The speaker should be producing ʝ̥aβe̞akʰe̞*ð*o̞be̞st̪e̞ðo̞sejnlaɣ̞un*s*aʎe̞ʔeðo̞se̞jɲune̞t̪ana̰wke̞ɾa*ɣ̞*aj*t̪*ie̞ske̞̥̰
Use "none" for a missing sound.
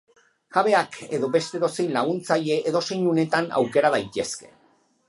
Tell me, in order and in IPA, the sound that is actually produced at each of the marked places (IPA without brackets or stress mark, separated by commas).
ð, t͡s, ð̞, t̪